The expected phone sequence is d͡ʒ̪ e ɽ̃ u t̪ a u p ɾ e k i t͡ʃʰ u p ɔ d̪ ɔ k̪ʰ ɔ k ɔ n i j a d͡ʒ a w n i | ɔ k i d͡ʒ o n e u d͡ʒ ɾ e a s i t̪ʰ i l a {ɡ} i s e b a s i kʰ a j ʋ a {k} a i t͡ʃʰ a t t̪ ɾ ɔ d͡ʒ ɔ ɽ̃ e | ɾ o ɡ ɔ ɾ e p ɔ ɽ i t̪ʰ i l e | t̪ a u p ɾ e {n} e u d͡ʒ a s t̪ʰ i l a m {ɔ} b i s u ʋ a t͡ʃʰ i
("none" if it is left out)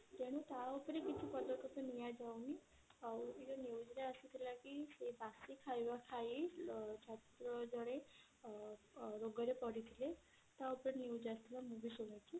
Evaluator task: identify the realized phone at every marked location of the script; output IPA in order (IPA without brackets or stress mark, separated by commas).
k, kʰ, n, u